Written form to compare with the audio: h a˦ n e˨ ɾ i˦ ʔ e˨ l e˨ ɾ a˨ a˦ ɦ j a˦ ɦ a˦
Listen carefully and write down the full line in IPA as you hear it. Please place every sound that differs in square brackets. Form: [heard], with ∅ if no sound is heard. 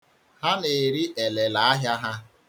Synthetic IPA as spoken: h a˦ n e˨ ɾ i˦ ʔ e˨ l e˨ [l] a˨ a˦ ɦ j a˦ ɦ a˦